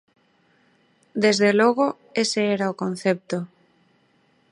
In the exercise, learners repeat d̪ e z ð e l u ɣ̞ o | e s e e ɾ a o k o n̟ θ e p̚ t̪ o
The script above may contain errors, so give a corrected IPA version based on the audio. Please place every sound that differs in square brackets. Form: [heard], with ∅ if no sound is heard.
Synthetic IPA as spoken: d̪ e z ð e l [o] ɣ̞ o | e s e e ɾ a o k o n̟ θ e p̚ t̪ o